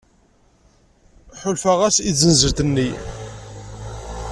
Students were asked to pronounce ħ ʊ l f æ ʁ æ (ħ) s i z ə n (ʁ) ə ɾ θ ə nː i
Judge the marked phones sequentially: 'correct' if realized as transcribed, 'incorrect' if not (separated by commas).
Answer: incorrect, incorrect